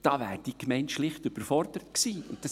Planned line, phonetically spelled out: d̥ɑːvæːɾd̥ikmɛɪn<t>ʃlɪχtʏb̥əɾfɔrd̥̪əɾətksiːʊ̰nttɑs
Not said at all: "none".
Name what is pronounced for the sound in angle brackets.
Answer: t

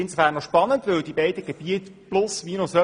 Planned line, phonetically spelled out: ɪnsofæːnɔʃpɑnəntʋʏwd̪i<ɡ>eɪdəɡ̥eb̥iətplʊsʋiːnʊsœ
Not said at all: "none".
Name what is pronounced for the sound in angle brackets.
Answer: b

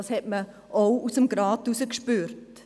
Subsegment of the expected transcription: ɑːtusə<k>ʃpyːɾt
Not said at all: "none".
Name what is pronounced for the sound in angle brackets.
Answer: k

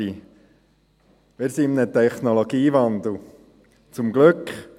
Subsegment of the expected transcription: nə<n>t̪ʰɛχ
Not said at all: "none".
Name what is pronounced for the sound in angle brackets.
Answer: none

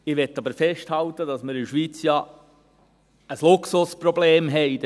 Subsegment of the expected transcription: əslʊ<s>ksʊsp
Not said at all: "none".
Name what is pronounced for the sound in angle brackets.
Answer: none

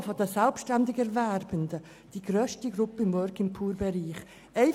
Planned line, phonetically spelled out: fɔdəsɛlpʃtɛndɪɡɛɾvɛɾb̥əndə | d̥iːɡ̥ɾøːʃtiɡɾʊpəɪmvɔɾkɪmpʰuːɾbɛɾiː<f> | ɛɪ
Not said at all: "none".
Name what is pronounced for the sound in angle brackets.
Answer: χ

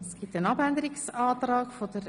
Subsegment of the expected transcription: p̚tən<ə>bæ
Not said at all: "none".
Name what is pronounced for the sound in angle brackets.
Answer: ɑ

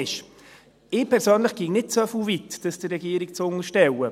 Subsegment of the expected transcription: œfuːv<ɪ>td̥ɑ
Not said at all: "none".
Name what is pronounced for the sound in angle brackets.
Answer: i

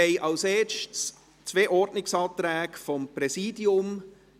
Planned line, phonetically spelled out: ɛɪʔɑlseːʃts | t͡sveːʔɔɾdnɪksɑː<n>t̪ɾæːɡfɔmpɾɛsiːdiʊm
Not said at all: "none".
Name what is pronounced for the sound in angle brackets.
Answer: none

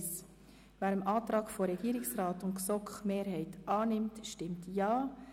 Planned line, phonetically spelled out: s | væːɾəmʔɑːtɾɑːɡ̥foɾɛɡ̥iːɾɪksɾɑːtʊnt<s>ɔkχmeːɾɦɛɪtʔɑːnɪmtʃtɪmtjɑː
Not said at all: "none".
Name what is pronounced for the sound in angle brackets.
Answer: s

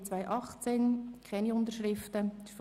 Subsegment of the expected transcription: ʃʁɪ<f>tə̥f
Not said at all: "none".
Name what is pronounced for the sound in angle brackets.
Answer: f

